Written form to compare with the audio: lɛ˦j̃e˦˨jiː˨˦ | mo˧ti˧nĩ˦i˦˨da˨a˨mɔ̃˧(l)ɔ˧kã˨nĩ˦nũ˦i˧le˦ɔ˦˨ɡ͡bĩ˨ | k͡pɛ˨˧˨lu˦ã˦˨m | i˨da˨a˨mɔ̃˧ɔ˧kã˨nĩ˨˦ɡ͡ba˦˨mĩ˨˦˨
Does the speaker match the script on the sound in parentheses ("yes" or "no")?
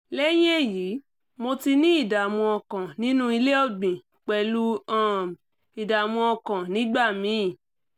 no